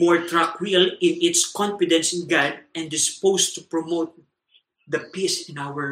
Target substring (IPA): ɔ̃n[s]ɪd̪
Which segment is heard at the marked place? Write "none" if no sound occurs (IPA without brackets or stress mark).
f